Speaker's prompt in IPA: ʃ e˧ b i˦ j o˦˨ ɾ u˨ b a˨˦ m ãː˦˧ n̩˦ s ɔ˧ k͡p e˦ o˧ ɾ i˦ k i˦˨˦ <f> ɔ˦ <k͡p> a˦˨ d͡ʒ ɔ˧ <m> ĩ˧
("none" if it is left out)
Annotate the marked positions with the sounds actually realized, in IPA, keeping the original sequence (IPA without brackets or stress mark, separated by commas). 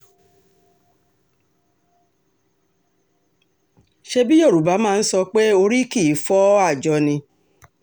f, none, n